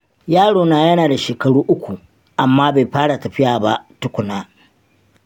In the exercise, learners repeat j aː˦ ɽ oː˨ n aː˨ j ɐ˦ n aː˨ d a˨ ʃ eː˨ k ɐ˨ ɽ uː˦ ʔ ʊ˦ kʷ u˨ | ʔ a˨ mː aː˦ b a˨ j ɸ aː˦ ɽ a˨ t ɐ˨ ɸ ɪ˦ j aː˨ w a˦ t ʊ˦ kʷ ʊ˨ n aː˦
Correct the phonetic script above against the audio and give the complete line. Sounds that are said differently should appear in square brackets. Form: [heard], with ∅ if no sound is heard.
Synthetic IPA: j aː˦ ɽ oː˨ n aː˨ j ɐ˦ n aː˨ d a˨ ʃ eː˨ k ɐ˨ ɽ uː˦ ʔ ʊ˦ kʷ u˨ | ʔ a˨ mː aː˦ b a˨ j ɸ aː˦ ɽ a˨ t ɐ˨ ɸ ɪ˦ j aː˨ [b] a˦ t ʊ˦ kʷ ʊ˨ n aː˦